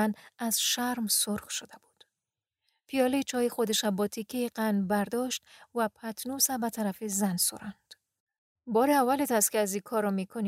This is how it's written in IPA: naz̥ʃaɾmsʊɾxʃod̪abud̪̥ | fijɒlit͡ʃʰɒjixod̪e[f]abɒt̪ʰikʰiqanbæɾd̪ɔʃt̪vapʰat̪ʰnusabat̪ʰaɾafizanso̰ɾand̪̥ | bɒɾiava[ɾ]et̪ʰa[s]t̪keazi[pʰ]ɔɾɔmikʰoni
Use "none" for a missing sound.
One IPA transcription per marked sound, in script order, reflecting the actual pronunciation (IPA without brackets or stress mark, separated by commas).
ʃ, l, s, kʰ